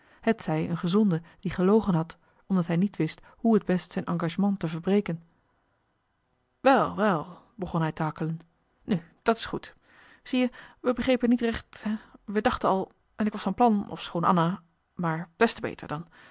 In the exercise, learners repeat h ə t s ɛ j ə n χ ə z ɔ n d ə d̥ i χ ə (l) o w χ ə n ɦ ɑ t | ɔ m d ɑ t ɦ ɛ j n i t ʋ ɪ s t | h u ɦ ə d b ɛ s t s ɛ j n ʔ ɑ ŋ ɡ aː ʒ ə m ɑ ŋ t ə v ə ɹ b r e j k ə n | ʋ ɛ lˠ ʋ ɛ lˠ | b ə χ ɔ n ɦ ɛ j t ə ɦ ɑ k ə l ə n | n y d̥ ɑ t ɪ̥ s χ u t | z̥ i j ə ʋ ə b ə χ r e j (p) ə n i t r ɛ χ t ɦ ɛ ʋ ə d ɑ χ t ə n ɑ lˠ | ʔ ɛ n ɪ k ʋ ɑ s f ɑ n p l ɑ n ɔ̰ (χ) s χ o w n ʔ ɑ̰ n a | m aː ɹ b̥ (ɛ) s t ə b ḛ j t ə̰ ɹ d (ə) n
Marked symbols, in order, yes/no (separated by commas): yes, yes, no, yes, no